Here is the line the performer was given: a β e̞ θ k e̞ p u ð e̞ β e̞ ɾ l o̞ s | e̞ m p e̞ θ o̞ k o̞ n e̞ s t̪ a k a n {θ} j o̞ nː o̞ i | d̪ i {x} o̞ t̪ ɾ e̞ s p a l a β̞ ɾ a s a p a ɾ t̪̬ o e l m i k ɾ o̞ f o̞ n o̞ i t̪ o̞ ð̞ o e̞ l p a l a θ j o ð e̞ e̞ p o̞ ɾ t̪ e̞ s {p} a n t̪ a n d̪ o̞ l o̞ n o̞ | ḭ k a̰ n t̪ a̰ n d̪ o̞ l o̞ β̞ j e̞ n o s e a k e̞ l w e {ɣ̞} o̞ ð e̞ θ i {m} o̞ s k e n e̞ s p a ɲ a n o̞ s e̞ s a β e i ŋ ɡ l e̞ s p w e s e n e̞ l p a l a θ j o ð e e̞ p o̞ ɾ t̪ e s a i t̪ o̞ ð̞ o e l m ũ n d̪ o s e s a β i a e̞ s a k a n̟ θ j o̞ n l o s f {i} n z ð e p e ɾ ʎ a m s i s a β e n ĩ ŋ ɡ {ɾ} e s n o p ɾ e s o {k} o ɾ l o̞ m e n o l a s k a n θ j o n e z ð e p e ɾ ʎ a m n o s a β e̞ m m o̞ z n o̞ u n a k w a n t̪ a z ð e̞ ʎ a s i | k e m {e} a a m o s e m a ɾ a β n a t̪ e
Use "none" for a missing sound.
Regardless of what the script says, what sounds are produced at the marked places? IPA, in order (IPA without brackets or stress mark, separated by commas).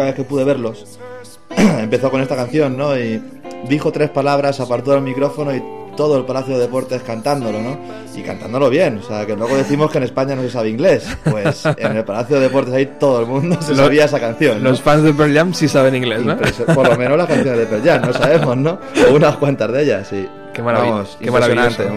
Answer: θ, x, k, ɣ̞, m, a, l, p, a